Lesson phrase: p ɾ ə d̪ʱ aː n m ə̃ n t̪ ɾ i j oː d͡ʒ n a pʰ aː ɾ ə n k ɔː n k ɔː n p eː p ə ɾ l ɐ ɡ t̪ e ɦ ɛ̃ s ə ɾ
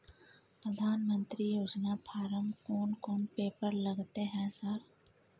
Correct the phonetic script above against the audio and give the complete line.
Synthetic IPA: p ɾ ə d̪ʱ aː n m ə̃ n t̪ ɾ i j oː d͡ʒ n a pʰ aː ɾ ə m k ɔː n k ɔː n p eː p ə ɾ l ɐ ɡ t̪ e ɦ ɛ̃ s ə ɾ